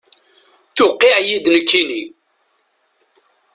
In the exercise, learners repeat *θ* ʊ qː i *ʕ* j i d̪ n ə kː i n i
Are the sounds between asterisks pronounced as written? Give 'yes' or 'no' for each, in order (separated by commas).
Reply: yes, yes